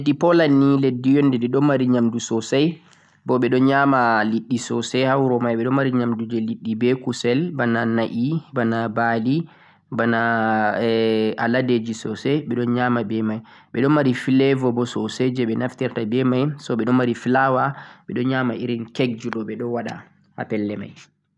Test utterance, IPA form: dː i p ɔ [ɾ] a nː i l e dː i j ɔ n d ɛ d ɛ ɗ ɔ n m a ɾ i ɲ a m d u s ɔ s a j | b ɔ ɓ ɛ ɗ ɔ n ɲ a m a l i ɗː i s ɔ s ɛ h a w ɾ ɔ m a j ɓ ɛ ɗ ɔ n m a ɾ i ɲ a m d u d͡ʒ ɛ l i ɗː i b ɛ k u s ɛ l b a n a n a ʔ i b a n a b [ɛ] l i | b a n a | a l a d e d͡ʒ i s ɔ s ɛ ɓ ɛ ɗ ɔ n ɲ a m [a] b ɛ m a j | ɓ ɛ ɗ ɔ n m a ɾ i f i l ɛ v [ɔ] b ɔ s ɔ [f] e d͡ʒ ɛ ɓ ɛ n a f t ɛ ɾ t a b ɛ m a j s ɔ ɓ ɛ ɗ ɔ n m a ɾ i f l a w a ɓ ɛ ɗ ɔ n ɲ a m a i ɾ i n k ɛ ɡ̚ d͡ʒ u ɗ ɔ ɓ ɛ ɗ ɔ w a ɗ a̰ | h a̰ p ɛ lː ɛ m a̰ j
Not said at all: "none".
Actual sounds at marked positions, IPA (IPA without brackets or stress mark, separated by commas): l, a, a, ɔ, s